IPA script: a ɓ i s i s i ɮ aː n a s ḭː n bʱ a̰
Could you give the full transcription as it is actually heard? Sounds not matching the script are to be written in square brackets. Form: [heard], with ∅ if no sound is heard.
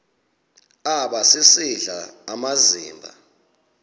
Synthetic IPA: a ɓ [a] s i s i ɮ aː [m] a [z] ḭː [m] bʱ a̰